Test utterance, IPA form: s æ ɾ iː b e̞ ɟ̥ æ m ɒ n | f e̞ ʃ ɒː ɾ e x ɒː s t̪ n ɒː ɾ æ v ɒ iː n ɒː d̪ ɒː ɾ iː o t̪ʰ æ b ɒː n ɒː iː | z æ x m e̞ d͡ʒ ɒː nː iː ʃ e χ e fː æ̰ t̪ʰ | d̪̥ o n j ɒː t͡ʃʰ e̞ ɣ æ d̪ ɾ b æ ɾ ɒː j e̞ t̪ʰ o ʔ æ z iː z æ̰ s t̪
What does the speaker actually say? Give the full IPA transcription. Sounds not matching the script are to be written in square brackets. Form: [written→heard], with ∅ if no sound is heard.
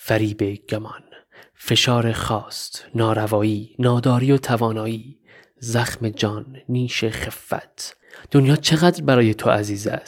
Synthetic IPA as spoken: [s→f] æ ɾ iː b e̞ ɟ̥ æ m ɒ n | f e̞ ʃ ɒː ɾ e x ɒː s t̪ n ɒː ɾ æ v [ɒ→ɒː] iː n ɒː d̪ ɒː ɾ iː o t̪ʰ æ [b→v] ɒː n ɒː iː | z æ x m e̞ d͡ʒ ɒː nː iː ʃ e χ e fː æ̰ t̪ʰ | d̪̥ o n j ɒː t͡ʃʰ e̞ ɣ æ d̪ ɾ b æ ɾ ɒː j e̞ t̪ʰ o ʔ æ z iː z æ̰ s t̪